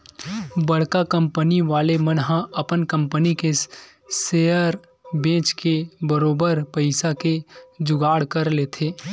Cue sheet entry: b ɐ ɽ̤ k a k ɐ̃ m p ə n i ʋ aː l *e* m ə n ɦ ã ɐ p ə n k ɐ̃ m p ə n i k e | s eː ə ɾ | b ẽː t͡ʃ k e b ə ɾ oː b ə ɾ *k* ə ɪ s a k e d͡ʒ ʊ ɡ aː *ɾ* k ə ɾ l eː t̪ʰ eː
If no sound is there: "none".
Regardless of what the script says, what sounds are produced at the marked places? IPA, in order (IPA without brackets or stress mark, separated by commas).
e, p, ɽ